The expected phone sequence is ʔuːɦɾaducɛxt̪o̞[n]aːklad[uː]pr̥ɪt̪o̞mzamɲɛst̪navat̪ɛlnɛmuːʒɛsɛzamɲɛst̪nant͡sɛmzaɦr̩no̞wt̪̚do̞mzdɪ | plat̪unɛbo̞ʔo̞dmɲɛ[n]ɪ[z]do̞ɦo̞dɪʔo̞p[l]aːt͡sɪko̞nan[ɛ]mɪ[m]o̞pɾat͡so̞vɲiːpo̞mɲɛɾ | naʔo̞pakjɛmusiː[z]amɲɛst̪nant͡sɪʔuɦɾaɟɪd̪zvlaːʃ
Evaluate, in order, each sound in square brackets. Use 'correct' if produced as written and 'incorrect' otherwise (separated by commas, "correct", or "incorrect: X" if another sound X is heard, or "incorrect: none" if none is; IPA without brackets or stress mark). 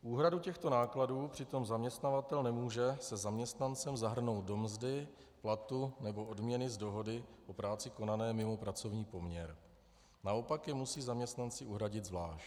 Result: correct, correct, correct, correct, incorrect: ɾ, incorrect: ɛː, correct, correct